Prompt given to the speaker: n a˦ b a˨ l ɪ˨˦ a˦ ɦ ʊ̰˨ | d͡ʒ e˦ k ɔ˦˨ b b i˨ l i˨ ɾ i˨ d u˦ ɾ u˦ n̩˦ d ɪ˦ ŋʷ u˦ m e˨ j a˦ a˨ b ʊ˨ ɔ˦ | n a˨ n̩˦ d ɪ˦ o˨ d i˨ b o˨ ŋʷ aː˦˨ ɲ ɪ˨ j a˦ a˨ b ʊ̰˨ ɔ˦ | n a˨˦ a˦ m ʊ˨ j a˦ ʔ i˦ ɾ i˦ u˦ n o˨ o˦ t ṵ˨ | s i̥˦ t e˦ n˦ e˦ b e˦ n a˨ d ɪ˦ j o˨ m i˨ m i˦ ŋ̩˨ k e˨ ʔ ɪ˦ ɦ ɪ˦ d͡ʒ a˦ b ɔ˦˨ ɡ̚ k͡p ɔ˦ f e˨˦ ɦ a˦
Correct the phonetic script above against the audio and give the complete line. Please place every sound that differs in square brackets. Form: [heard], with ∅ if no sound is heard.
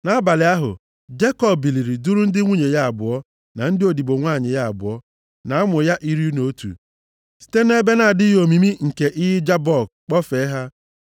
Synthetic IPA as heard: n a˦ b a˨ l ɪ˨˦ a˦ ɦ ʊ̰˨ | d͡ʒ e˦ k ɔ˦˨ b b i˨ l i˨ ɾ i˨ d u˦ ɾ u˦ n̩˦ d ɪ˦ ŋʷ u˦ [ɲ] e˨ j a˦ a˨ b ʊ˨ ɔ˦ | n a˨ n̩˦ d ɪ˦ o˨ d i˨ b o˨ ŋʷ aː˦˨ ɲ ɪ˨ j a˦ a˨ b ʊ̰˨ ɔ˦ | n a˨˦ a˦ m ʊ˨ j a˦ ʔ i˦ ɾ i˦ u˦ n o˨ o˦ t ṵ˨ | s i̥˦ t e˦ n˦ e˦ b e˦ n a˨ d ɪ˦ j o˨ m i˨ m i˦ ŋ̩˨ k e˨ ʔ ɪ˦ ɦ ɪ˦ d͡ʒ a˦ b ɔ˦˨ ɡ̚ k͡p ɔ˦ f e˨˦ ɦ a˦